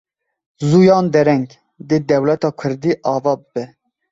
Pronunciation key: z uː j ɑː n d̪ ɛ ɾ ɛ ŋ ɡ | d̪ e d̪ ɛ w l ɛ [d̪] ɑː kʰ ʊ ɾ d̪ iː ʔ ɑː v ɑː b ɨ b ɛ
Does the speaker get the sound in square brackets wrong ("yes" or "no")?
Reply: yes